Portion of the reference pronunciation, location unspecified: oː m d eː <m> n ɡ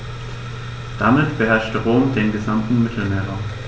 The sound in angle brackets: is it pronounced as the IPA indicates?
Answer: no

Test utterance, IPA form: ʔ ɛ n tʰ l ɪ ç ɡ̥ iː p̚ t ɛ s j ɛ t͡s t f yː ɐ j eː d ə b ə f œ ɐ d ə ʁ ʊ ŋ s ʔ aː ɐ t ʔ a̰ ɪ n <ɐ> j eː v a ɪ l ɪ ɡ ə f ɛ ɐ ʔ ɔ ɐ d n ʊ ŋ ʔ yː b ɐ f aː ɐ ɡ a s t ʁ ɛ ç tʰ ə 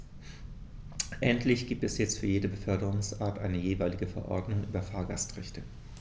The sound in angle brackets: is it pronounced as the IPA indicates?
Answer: no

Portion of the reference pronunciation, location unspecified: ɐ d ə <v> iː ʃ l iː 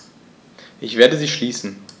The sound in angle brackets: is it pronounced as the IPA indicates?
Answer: no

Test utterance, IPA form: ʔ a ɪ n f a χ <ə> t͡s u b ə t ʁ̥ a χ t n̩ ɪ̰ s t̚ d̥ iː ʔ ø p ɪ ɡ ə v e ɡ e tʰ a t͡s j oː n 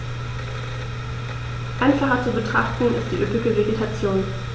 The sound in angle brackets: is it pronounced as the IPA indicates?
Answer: no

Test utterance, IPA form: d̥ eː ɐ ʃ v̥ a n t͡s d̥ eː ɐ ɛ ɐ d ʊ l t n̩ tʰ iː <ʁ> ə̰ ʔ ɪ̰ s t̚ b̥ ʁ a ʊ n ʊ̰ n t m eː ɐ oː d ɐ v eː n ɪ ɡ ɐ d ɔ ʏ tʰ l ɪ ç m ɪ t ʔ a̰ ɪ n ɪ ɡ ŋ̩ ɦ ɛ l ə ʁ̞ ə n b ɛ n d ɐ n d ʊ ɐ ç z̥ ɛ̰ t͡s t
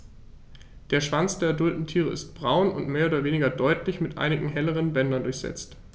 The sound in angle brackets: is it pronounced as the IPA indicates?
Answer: yes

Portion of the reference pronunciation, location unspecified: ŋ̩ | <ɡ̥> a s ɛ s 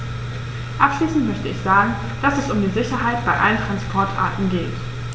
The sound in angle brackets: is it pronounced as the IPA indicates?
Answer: no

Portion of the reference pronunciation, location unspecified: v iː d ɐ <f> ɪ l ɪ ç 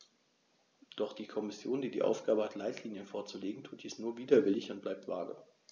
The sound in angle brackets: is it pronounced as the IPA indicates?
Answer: no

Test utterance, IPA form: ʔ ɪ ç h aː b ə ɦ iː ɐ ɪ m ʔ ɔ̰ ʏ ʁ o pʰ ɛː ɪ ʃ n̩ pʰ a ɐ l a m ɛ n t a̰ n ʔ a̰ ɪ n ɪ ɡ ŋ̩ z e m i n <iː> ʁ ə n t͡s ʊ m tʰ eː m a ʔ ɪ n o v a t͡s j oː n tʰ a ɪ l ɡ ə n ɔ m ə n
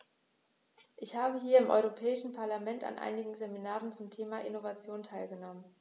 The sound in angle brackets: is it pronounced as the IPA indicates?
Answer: no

